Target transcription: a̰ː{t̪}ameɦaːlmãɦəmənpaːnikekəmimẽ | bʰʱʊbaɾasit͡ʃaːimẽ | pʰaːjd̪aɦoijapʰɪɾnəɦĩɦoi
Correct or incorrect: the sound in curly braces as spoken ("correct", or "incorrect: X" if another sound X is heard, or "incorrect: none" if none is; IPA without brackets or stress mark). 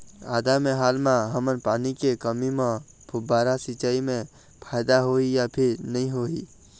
incorrect: d̪